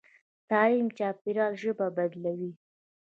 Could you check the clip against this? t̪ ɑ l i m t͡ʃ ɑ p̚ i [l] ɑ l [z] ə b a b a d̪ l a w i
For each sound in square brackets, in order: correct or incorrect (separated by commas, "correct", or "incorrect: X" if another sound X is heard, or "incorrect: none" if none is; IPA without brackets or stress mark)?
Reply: incorrect: ɾ, incorrect: ʒ